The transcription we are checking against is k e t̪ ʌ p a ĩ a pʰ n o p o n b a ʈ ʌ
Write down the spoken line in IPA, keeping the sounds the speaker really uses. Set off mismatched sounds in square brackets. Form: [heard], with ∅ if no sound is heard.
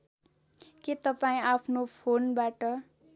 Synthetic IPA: k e t̪ ʌ p a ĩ a pʰ n o [pʰ] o n b a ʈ ʌ

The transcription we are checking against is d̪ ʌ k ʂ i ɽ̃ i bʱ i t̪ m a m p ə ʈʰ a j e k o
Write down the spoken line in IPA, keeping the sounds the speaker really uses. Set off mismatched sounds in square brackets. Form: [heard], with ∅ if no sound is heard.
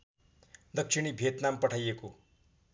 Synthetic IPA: d̪ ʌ k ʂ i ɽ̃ i bʱ [e] t̪ [n] a m p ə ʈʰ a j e k o

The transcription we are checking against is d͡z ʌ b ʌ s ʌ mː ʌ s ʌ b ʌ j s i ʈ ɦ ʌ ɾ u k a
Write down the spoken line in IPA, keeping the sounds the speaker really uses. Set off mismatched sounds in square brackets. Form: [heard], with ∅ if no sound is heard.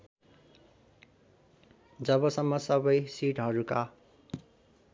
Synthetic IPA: d͡z ʌ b ʌ s ʌ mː ʌ s ʌ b ʌ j s i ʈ ɦ ʌ ɾ u k a

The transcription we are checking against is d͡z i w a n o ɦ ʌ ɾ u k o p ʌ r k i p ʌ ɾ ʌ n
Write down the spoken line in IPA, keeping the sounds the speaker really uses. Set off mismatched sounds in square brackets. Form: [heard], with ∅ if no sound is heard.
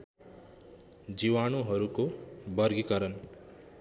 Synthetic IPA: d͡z i w a n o ɦ ʌ ɾ u k o [b] ʌ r [ɡ] i [k] ʌ ɾ ʌ n

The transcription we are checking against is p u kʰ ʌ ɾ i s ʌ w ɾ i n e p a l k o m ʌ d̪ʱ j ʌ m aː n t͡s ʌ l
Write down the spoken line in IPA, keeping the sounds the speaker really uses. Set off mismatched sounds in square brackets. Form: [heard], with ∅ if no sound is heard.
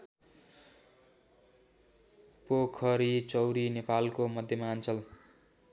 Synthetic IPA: p [o] kʰ ʌ ɾ i [t͡s] ʌ w ɾ i n e p a l k o m ʌ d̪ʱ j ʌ m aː n t͡s ʌ l

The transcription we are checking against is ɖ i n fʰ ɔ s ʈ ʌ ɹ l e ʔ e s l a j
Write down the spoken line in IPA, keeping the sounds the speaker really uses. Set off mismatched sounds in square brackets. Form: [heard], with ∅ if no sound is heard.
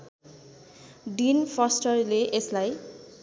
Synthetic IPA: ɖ i n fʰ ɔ s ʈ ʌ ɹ l e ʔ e s l a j

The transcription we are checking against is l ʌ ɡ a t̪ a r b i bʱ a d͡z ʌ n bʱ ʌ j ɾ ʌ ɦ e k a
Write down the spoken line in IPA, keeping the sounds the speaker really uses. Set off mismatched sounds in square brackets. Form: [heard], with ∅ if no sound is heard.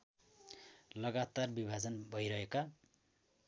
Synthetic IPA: l ʌ ɡ a t̪ a r b i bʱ a d͡z ʌ n bʱ ʌ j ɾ ʌ ɦ e k a

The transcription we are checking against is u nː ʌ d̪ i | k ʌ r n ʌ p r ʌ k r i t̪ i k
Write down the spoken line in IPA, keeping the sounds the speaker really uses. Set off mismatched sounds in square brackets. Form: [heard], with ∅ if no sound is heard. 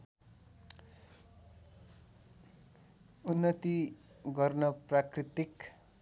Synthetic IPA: u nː ʌ [t̪] i | [ɡ] ʌ r n ʌ p r [a] k r i t̪ i k

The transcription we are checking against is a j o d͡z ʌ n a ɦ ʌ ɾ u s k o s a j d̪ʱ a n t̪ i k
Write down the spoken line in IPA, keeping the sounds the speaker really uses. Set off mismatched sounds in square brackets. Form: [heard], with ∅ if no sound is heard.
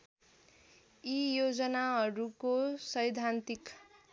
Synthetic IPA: [i] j o d͡z ʌ n a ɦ ʌ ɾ u [∅] k o s [ʌ] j d̪ʱ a n t̪ i k

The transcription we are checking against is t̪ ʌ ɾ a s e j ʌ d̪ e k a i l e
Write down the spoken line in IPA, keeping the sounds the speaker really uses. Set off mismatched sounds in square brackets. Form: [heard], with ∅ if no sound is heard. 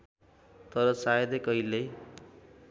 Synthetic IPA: t̪ ʌ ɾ [ʌ] s [a] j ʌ d̪ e k [ʌ] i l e

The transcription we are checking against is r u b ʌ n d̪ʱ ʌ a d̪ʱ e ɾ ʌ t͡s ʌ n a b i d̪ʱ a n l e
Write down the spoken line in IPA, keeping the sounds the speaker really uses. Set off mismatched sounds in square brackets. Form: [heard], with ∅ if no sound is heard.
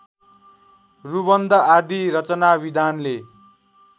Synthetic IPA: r u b ʌ n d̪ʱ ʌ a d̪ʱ [i] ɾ ʌ t͡s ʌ n a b i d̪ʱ a n l e

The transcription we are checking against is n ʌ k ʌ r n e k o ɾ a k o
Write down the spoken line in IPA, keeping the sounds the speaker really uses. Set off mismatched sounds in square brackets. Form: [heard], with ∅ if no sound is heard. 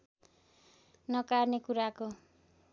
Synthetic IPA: n ʌ k [a] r n e k [u] ɾ a k o

